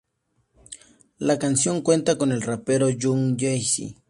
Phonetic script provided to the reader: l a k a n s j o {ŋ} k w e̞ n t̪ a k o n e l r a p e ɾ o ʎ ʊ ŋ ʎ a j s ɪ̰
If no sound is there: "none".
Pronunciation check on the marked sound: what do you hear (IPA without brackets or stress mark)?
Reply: ŋ